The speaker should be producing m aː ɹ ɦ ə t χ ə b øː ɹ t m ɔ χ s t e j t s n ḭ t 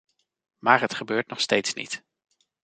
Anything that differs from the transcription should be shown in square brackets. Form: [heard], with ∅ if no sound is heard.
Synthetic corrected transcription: m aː ɹ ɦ ə t χ ə b øː ɹ t [n] ɔ χ s t e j t s n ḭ t

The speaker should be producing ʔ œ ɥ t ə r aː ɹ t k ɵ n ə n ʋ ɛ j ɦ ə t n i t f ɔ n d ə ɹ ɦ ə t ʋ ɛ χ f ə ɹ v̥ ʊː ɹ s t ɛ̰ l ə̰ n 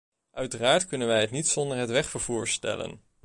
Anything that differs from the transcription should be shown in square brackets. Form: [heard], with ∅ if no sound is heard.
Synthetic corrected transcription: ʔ œ ɥ t ə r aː ɹ t k ɵ n ə n ʋ ɛ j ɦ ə t n i t [s] ɔ n d ə ɹ ɦ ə t ʋ ɛ χ f ə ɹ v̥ [uː] ɹ s t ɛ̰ l ə̰ n

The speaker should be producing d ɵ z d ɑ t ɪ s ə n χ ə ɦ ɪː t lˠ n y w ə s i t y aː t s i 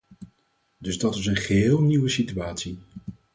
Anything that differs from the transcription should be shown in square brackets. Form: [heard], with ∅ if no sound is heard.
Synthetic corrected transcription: d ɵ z d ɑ t ɪ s ə n χ ə ɦ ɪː [∅] lˠ n [i] w ə s i t y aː t s i

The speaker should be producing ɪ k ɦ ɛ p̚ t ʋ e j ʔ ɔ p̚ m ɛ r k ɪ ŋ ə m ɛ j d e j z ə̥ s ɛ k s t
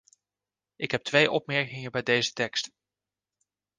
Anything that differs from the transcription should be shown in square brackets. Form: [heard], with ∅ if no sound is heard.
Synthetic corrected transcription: ɪ k ɦ ɛ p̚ t ʋ e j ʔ ɔ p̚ m ɛ [ɹ] k ɪ ŋ ə [b] ɛ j d e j z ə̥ [t] ɛ k s t

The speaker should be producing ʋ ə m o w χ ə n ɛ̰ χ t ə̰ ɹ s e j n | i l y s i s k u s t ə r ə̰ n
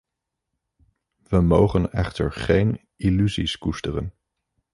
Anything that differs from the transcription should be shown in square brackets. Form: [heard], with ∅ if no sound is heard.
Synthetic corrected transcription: ʋ ə m o w χ ə n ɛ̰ χ t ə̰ ɹ [χ] e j n | i l y [z] i s k u s t ə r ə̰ n

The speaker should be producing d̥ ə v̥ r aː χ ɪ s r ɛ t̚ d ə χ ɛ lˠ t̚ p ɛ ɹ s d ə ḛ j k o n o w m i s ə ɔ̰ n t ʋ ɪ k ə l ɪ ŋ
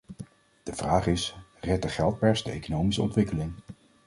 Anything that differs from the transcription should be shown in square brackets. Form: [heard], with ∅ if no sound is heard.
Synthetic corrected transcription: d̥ ə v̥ r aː χ ɪ s r ɛ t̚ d ə χ ɛ lˠ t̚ p ɛ ɹ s d ə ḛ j k o n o w m i s ə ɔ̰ n t ʋ ɪ k ə l ɪ ŋ

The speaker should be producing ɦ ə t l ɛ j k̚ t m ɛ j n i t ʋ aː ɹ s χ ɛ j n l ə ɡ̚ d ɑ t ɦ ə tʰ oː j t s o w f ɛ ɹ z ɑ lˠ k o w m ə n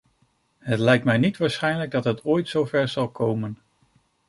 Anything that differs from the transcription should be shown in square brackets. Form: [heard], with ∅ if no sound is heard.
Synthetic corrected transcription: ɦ ə t l ɛ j k̚ t m ɛ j n i t ʋ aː ɹ s χ ɛ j n l ə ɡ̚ d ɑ t ɦ ə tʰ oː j t s o w [v] ɛ ɹ z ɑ lˠ k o w m ə n

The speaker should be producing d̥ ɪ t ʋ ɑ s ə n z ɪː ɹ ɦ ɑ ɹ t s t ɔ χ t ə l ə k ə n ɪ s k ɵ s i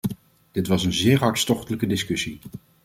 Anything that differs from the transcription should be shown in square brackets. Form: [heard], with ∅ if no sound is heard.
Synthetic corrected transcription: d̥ ɪ t ʋ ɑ s ə n z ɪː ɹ ɦ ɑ ɹ t s t ɔ χ t ə l ə k ə [d] ɪ s k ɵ s i

